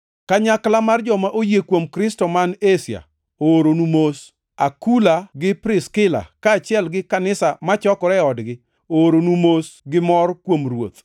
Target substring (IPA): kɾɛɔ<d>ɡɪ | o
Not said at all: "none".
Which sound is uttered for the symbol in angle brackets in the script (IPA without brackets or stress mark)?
d